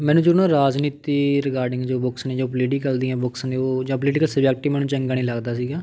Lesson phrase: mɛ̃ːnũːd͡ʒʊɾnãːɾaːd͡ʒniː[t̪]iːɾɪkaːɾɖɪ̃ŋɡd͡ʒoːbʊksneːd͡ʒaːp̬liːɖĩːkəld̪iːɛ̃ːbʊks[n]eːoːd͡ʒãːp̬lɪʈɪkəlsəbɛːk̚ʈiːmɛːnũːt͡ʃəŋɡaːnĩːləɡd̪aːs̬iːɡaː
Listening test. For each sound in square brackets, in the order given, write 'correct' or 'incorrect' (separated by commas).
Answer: correct, correct